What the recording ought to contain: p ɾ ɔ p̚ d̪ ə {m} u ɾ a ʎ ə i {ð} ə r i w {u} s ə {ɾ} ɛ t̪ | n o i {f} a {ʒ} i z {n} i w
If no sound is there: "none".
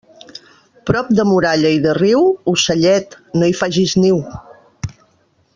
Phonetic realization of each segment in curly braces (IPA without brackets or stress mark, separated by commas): m, ð, u, ʎ, f, ʒ, n